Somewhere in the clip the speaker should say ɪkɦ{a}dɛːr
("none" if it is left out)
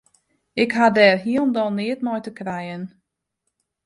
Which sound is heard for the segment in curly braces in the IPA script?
a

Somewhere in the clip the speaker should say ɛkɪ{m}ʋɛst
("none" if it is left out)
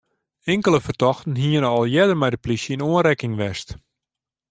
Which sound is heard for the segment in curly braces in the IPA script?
ŋ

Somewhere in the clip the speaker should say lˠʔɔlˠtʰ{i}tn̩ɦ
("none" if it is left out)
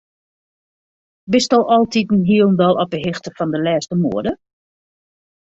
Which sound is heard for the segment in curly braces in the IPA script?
i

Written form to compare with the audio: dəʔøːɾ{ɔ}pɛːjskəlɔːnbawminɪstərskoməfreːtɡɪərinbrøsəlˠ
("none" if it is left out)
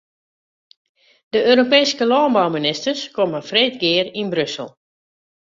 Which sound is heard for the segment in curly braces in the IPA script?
o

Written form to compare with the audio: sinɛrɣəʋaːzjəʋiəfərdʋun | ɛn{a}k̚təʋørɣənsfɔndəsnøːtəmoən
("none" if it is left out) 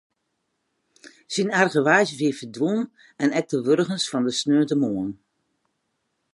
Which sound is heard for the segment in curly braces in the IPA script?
ɛ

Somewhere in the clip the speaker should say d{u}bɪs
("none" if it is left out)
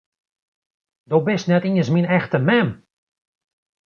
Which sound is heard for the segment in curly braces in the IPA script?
o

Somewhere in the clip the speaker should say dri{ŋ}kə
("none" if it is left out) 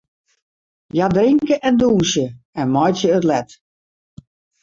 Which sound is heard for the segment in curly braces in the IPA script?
ŋ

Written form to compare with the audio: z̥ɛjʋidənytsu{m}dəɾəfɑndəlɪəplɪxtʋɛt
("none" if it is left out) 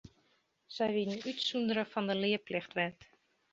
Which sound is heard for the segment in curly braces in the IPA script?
n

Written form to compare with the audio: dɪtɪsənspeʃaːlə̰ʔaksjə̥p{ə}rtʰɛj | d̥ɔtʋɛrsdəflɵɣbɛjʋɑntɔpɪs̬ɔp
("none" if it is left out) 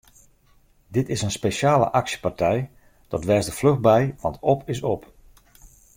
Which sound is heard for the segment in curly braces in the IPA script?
a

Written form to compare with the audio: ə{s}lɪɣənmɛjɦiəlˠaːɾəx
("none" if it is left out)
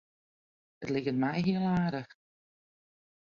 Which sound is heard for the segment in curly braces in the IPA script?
t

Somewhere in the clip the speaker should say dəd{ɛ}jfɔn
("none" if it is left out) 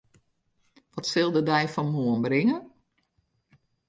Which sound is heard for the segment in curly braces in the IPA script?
ɛ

